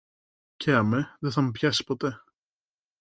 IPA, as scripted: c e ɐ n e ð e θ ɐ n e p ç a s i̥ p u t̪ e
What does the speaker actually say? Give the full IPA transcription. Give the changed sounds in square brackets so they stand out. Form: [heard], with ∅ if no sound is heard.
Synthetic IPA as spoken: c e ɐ [m] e ð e θ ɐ [m] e p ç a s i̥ p [o] t̪ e